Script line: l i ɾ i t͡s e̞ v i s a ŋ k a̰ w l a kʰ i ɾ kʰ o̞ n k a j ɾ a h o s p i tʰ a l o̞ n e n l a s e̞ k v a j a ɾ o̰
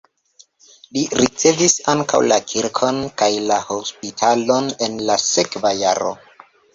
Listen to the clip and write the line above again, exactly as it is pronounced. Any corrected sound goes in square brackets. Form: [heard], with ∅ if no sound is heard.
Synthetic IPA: l i ɾ i t͡s e̞ v i s a ŋ k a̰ w l a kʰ i ɾ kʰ o̞ n k a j [l] a h o s p i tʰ a l o̞ n e n l a s e̞ k v a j a ɾ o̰